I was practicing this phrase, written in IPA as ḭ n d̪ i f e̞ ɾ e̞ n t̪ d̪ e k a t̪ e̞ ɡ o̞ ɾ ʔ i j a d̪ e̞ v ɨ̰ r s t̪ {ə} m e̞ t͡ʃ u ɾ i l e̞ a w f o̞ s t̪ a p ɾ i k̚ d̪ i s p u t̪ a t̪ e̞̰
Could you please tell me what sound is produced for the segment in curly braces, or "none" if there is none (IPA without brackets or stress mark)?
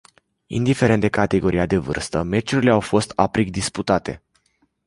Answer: ə